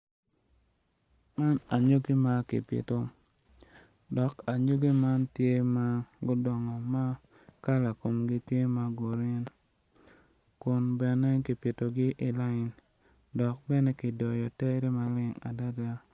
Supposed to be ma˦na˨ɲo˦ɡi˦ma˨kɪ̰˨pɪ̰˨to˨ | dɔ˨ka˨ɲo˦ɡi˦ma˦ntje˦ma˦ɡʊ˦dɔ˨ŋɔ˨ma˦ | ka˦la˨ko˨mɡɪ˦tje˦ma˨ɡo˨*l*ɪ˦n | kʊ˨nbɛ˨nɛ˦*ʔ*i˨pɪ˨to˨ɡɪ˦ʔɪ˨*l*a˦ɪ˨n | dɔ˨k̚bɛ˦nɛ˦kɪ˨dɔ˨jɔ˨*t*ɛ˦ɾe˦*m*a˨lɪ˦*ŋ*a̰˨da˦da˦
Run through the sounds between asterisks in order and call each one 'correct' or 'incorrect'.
incorrect: ɾ, incorrect: k, correct, correct, correct, correct

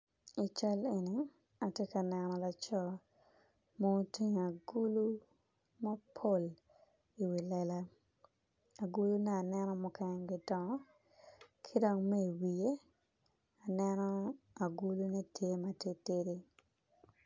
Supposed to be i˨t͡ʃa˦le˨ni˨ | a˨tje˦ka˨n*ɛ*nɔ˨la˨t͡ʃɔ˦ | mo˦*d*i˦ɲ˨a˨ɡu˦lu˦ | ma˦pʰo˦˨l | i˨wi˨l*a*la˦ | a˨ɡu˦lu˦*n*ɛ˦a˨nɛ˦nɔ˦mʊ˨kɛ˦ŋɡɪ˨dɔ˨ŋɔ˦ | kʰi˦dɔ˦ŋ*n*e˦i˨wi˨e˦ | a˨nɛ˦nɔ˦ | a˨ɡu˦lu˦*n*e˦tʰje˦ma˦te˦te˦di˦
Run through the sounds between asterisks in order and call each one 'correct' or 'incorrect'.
correct, incorrect: t, incorrect: ɛ, correct, incorrect: m, correct

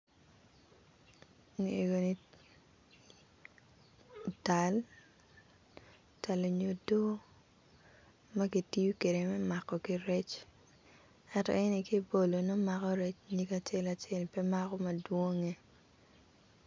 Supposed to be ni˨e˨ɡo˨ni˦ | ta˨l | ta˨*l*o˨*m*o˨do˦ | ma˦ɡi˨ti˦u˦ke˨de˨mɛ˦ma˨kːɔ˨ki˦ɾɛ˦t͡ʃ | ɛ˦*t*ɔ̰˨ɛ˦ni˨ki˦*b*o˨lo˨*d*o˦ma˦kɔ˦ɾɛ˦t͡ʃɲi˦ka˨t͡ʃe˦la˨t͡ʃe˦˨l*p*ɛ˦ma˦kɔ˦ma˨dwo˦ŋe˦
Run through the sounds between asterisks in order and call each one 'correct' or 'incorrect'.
correct, incorrect: ɲ, correct, correct, incorrect: n, correct

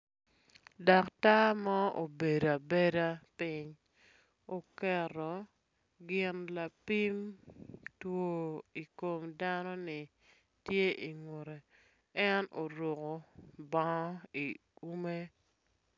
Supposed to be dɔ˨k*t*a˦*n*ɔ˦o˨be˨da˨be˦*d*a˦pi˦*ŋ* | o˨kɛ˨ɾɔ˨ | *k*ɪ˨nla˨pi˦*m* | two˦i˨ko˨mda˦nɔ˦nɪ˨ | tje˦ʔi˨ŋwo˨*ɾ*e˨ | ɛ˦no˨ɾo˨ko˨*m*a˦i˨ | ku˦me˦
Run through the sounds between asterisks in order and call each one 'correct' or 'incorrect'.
correct, incorrect: m, correct, incorrect: ɲ, incorrect: ɡ, correct, correct, incorrect: b

